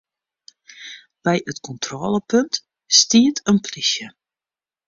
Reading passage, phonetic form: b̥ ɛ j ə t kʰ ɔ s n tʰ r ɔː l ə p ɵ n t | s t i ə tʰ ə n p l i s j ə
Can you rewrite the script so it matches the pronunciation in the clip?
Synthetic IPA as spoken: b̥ ɛ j ə t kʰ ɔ n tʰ r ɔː l ə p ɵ n t | s t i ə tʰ ə n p l i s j ə